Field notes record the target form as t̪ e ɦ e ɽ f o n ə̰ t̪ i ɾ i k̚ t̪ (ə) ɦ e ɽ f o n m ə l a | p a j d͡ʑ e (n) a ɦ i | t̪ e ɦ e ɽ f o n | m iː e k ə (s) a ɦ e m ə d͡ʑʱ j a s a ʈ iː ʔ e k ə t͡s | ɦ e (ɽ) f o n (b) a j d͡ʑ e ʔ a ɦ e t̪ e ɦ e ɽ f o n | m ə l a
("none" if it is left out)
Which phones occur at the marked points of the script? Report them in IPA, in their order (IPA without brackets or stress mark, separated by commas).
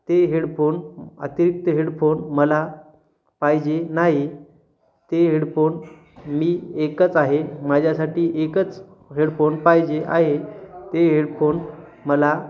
ə, n, t͡s, ɽ, p